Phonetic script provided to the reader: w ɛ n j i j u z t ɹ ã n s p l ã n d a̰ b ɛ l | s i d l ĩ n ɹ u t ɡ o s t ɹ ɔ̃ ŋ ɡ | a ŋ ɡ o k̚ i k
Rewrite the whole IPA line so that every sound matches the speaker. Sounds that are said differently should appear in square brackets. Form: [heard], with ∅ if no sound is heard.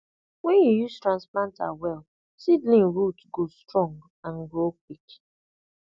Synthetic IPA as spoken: w ɛ n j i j u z t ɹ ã n s p l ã n [t] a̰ [w] ɛ l | s i d l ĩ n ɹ u t ɡ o s t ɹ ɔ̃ ŋ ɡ | a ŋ ɡ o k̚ i k

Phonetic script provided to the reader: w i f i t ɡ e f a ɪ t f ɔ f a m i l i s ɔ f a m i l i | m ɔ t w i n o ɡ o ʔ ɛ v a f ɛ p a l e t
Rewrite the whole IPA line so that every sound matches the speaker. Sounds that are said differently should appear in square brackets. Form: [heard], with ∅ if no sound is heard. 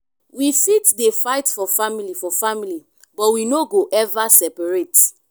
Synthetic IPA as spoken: w i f i t [d] e f a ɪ t f ɔ f a m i l i [f] ɔ f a m i l i | [b] ɔ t w i n o ɡ o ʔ ɛ v a [s] ɛ p a [ɹ] e t

